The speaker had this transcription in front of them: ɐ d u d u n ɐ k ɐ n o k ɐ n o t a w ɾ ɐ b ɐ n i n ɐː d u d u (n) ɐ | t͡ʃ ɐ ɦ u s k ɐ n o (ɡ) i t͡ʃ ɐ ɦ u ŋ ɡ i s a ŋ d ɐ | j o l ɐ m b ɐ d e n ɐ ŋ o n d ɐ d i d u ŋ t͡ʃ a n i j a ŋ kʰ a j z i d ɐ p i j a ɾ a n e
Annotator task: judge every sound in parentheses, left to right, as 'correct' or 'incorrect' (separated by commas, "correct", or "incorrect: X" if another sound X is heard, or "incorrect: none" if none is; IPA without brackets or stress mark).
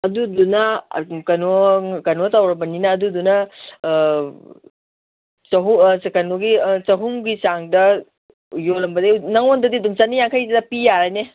correct, correct